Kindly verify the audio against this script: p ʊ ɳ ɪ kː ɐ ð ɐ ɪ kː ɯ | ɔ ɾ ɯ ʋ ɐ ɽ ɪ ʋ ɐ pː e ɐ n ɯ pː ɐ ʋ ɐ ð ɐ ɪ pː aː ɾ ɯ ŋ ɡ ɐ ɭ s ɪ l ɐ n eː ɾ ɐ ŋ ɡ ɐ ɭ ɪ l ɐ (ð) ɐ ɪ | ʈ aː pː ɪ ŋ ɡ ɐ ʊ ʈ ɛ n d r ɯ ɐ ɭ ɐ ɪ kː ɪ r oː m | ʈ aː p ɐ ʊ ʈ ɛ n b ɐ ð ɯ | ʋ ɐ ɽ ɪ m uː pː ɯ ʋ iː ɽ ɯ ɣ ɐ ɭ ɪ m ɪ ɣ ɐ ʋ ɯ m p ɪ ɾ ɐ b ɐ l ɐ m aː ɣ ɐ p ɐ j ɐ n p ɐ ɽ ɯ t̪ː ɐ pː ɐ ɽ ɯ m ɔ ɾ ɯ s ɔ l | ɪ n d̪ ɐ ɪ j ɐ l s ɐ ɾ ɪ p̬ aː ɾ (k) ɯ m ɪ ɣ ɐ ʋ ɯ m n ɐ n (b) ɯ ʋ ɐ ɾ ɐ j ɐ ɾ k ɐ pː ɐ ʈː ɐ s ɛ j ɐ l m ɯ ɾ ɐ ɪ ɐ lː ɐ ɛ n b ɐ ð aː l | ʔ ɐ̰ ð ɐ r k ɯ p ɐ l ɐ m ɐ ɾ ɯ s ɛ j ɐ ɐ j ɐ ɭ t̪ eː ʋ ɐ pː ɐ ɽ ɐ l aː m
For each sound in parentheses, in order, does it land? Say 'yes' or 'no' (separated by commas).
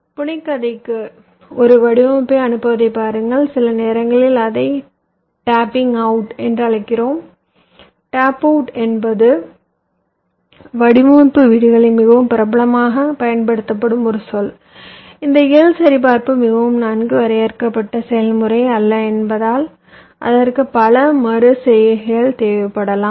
yes, no, no